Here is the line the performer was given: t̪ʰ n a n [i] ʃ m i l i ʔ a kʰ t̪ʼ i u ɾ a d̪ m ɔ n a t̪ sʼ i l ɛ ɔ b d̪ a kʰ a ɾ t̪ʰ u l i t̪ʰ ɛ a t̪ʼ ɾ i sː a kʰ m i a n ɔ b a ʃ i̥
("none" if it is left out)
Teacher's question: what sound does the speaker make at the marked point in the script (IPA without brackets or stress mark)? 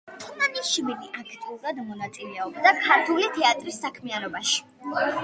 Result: i